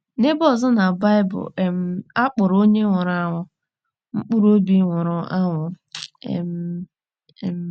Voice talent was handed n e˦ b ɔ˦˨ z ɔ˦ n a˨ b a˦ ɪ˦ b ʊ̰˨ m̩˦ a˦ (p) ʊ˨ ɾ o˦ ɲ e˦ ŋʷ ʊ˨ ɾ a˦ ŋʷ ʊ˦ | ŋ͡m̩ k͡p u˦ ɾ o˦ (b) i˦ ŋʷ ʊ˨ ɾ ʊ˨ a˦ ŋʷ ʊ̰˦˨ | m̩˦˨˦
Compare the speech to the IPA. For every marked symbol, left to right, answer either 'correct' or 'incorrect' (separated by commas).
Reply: incorrect, correct